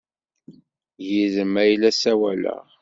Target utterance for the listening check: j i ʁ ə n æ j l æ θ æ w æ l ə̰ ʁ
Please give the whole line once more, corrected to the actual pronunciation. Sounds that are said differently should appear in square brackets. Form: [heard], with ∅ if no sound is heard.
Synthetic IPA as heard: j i [ð] ə [m] æ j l æ [s] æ w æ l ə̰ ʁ